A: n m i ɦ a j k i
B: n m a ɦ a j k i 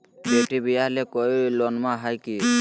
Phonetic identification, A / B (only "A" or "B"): B